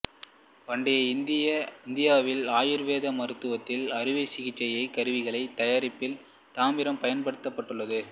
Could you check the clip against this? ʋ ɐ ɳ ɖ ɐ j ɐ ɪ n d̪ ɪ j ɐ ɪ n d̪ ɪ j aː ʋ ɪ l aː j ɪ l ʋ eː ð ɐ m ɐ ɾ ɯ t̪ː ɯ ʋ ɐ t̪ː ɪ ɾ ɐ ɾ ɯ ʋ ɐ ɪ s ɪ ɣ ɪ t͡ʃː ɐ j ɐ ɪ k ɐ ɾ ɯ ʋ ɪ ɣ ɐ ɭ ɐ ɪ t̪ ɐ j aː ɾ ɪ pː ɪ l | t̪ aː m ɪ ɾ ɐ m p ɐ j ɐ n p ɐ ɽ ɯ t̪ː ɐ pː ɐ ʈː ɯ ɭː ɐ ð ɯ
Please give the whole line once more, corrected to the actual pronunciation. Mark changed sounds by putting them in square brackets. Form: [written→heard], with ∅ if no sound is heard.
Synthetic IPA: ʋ ɐ ɳ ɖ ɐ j ɐ ɪ n d̪ ɪ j ɐ ɪ n d̪ ɪ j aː ʋ ɪ l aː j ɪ [l→ɾ] ʋ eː ð ɐ m ɐ ɾ ɯ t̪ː ɯ ʋ ɐ t̪ː ɪ [ɾ→l] ɐ ɾ ɯ ʋ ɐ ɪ s ɪ ɣ ɪ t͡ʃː ɐ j ɐ ɪ k ɐ ɾ ɯ ʋ ɪ ɣ ɐ ɭ ɐ ɪ t̪ ɐ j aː ɾ ɪ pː ɪ l | t̪ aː m ɪ ɾ ɐ m p ɐ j ɐ n p ɐ ɽ ɯ t̪ː ɐ pː ɐ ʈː ɯ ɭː ɐ ð ɯ